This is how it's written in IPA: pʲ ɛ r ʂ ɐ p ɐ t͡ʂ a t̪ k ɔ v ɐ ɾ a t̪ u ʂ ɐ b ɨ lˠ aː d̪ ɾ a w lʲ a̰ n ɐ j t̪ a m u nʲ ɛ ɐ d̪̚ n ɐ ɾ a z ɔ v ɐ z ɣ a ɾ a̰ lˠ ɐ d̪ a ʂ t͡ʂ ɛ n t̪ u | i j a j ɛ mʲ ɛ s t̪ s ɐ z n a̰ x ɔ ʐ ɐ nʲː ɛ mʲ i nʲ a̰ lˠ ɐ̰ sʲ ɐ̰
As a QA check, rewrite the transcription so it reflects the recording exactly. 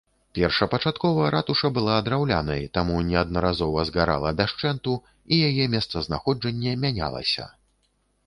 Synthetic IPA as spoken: pʲ ɛ r ʂ ɐ p ɐ t͡ʂ a t̪ k ɔ v ɐ ɾ a t̪ u ʂ ɐ b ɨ lˠ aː d̪ ɾ a w lʲ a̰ n ɐ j t̪ a m u nʲ ɛ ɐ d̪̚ n ɐ ɾ a z ɔ v ɐ z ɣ a ɾ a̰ lˠ ɐ d̪ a ʂ t͡ʂ ɛ n t̪ u | i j a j ɛ mʲ ɛ s t̪ s ɐ z n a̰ x ɔ d͡ʐ ɐ nʲː ɛ mʲ a nʲ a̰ lˠ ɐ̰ sʲ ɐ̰

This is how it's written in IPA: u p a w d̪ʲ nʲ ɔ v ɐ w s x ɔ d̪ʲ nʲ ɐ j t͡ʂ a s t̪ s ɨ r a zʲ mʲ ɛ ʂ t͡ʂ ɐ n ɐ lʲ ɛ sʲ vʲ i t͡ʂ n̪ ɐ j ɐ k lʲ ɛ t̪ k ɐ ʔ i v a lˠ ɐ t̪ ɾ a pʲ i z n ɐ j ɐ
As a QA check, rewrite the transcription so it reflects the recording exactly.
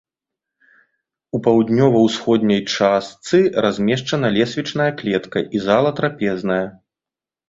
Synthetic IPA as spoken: u p a w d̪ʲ nʲ ɔ v ɐ w s x ɔ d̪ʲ nʲ ɐ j t͡ʂ a s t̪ s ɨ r a zʲ mʲ ɛ ʂ t͡ʂ ɐ n ɐ lʲ ɛ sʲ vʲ i t͡ʂ n̪ ɐ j ɐ k lʲ ɛ t̪ k ɐ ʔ i z a lˠ ɐ t̪ ɾ a pʲ ɛ z n ɐ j ɐ

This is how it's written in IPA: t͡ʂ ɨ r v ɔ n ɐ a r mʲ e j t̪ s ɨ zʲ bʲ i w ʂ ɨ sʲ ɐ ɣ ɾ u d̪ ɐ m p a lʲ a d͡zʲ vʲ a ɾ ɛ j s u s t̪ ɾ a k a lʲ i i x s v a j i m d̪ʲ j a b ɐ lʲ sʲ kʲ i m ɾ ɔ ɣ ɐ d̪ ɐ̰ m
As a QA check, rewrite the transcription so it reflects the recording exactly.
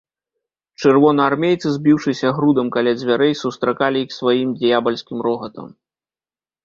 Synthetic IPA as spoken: t͡ʂ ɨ r v ɔ n ɐ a r mʲ e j t̪ s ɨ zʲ bʲ i w ʂ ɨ sʲ ɐ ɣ ɾ u d̪ ɐ m k a lʲ a d͡zʲ vʲ a ɾ ɛ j s u s t̪ ɾ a k a lʲ i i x s v a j i m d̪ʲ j a b ɐ lʲ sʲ kʲ i m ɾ ɔ ɣ ɐ t̪ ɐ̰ m

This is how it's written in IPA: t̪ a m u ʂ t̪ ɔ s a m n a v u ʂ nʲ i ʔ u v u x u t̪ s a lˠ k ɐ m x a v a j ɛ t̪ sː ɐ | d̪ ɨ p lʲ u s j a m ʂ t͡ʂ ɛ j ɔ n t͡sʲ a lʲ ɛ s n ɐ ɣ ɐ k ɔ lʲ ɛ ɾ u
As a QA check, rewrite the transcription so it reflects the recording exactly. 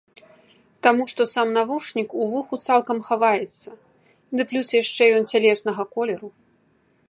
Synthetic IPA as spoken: t̪ a m u ʂ t̪ ɔ s a m n a v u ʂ nʲ i k u v u x u t̪ s a lˠ k ɐ m x a v a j ɛ t̪ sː ɐ | d̪ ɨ p lʲ u s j a ʂ t͡ʂ ɛ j ɔ n t͡sʲ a lʲ ɛ s n ɐ ɣ ɐ k ɔ lʲ ɛ ɾ u

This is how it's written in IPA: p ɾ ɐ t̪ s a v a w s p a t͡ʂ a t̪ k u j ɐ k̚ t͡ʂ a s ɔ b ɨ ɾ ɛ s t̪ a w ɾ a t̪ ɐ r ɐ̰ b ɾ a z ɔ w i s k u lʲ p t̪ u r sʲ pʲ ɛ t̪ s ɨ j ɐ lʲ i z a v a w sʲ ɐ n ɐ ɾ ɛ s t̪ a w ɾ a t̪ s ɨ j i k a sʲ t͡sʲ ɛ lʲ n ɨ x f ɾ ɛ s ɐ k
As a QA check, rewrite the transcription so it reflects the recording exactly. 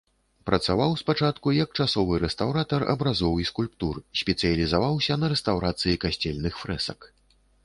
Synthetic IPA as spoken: p ɾ ɐ t̪ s a v a w s p a t͡ʂ a t̪ k u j ɐ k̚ t͡ʂ a s ɔ v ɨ ɾ ɛ s t̪ a w ɾ a t̪ ɐ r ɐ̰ b ɾ a z ɔ w i s k u lʲ p t̪ u r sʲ pʲ ɛ t̪ s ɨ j ɐ lʲ i z a v a w sʲ ɐ n ɐ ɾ ɛ s t̪ a w ɾ a t̪ s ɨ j i k a sʲ t͡sʲ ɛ lʲ n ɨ x f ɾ ɛ s ɐ k

